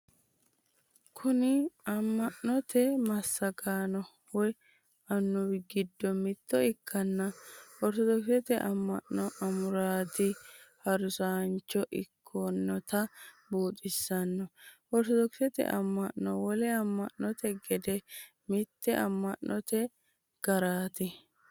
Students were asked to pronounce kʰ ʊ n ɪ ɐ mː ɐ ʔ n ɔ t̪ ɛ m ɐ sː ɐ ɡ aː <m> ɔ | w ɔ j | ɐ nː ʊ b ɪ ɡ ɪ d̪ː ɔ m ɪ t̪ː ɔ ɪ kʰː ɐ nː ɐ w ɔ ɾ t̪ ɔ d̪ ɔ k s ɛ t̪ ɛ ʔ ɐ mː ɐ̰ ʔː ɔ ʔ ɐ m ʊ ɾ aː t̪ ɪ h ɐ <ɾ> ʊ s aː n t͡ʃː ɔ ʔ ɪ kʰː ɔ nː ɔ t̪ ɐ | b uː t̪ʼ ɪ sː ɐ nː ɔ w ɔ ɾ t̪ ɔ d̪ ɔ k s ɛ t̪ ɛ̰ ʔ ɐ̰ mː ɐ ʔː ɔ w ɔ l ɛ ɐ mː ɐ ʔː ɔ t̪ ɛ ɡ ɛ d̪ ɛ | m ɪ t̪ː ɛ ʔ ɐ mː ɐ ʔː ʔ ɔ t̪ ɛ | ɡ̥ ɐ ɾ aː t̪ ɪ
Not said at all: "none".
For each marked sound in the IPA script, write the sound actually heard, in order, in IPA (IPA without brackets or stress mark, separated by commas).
n, ɾ